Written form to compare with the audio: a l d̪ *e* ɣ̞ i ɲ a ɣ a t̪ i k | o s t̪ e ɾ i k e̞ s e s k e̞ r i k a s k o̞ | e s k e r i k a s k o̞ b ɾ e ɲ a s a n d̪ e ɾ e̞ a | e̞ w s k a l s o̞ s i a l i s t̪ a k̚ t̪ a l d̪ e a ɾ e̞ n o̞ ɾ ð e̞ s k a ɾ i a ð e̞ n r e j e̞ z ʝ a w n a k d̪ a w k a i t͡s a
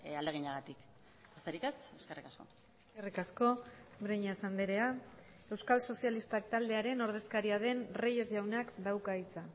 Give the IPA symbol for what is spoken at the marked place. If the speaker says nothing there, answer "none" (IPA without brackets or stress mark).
e